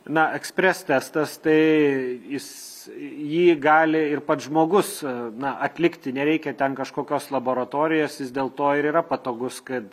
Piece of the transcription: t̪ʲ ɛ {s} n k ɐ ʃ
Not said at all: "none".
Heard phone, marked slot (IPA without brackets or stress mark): none